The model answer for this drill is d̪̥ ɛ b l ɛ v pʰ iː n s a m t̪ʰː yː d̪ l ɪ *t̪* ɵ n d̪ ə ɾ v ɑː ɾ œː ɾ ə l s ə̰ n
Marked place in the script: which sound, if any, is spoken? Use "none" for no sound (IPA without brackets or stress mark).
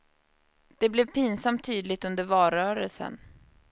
t̪